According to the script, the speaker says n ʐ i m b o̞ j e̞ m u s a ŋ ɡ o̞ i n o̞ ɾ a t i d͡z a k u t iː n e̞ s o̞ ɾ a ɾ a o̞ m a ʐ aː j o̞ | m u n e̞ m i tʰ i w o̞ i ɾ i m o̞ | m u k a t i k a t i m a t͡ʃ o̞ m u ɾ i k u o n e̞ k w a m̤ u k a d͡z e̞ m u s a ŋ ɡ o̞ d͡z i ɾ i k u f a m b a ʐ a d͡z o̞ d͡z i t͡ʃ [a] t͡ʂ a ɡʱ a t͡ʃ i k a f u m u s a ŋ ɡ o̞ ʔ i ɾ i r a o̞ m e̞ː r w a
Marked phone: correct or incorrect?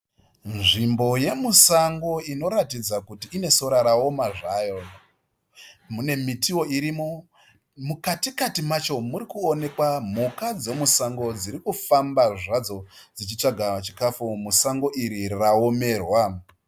incorrect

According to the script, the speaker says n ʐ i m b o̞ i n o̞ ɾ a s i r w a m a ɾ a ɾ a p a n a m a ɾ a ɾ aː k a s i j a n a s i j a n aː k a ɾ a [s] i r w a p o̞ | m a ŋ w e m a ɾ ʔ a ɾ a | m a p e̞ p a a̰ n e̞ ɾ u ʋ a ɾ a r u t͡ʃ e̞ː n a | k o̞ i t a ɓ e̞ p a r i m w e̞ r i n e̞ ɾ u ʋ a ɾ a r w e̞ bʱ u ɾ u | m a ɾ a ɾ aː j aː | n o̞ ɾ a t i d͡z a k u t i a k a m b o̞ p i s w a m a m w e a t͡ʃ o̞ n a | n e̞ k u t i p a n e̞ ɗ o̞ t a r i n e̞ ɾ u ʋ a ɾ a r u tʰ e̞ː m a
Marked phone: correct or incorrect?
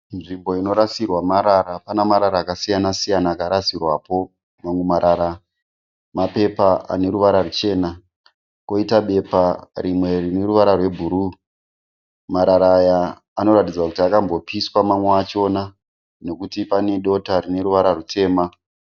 correct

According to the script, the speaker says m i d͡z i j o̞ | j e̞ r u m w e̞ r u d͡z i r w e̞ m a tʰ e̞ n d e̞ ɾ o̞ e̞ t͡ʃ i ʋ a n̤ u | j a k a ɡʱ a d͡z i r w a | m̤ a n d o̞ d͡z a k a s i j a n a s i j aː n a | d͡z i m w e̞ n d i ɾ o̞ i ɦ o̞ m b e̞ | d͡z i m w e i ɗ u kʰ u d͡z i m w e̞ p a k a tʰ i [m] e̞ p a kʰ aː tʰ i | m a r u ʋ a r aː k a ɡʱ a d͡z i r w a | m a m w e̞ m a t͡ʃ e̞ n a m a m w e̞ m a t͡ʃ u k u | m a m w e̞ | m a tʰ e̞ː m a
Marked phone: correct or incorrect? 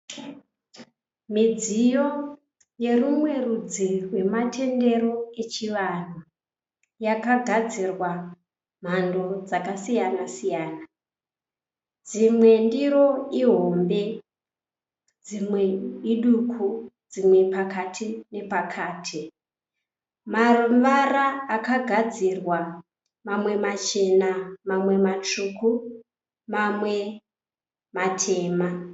incorrect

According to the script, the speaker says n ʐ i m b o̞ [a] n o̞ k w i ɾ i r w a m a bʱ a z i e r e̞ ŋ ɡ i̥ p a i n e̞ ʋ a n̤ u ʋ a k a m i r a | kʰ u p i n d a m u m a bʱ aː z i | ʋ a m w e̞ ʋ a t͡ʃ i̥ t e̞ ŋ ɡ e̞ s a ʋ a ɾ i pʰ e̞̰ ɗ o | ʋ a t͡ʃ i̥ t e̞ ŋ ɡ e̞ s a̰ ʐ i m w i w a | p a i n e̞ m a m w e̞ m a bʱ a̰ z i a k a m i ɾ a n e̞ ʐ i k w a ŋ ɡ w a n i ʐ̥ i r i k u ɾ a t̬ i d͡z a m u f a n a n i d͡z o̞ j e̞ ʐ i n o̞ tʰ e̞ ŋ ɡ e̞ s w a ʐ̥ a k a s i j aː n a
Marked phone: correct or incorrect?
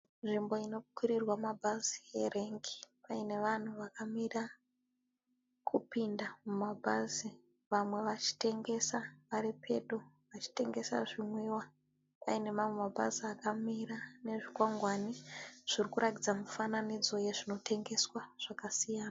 incorrect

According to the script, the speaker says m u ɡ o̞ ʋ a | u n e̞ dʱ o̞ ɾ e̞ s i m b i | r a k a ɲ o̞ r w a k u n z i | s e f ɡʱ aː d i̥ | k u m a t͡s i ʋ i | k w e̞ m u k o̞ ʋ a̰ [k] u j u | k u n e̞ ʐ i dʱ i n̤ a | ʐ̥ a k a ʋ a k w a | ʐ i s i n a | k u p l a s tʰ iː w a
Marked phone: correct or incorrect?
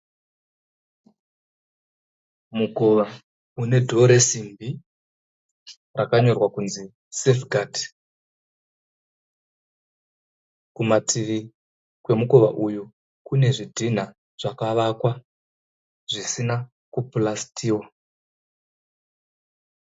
incorrect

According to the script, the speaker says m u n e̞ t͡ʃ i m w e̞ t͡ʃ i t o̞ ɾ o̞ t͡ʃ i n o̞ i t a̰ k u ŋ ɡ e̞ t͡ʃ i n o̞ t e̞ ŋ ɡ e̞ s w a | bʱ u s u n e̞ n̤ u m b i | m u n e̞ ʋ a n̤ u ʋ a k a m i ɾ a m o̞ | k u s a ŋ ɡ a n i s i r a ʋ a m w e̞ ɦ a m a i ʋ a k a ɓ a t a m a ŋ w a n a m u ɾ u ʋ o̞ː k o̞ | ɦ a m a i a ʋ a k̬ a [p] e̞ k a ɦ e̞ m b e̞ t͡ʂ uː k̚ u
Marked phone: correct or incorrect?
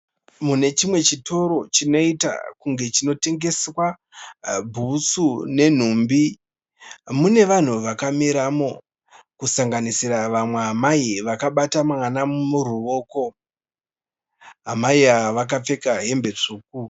incorrect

